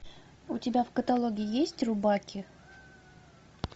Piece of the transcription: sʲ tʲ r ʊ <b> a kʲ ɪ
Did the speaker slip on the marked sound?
no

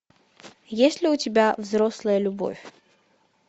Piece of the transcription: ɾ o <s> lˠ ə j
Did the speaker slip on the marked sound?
no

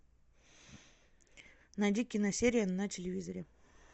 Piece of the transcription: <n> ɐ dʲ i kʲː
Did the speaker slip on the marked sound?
no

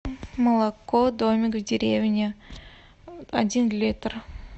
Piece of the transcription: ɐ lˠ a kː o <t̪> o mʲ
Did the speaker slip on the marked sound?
yes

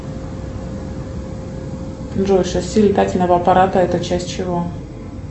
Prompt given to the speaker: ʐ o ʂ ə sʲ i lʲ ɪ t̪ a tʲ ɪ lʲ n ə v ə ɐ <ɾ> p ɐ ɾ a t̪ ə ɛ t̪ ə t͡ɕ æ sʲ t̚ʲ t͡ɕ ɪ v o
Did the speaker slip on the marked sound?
yes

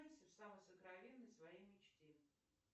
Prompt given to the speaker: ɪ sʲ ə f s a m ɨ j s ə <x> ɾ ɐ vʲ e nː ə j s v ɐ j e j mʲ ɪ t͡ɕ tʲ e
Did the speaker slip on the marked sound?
yes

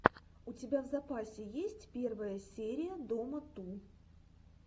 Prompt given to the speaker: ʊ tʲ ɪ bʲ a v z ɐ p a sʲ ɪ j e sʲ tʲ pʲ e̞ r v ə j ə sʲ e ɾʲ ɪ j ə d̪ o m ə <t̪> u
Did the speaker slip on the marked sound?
no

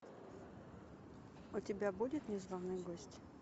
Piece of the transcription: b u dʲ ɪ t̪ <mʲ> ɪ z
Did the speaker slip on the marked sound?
yes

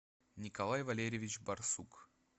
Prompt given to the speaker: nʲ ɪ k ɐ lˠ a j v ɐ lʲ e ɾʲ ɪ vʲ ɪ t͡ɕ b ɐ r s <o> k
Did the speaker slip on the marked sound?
yes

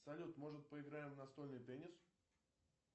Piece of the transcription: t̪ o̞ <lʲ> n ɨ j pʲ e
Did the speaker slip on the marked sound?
no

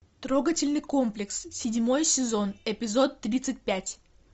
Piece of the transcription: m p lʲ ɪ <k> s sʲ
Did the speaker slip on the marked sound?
no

